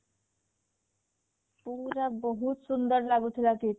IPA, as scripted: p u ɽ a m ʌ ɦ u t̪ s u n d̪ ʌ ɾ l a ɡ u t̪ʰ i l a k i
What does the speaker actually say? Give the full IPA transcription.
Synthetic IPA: p u ɾ a b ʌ ɦ u t̪ s u n d̪ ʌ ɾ l a ɡ u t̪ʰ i l a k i